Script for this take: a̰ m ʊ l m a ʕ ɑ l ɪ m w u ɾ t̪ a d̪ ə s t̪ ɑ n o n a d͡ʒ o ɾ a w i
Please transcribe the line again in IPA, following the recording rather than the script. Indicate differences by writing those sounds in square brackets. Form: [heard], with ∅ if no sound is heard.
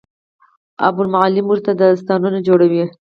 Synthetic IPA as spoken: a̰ [b] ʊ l m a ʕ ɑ l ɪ m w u ɾ t̪ a d̪ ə s t̪ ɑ n [u] n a d͡ʒ o [ɽ] a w i